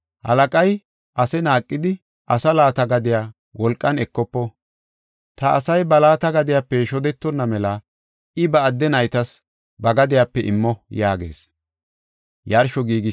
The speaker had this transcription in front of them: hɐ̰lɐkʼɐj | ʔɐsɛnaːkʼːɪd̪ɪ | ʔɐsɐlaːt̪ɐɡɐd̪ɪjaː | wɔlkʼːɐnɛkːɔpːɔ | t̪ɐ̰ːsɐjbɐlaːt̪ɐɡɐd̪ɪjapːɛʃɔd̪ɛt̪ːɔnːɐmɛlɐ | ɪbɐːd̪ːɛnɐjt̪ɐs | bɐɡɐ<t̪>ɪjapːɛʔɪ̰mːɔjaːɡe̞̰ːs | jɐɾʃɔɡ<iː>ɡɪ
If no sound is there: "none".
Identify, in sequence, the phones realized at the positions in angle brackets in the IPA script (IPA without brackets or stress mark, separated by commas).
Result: d̪, iː